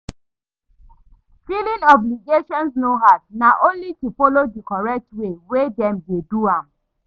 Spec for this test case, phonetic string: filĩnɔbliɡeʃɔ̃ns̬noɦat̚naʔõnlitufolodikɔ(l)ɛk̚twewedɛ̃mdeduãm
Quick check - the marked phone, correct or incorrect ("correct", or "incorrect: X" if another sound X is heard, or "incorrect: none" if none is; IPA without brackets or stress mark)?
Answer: incorrect: ɹ